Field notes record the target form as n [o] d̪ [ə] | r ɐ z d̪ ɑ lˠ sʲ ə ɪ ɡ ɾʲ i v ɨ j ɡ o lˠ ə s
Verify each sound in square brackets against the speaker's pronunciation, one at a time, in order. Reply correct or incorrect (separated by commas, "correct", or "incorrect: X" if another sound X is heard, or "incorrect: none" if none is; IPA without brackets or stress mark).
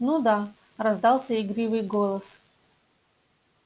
incorrect: u, incorrect: a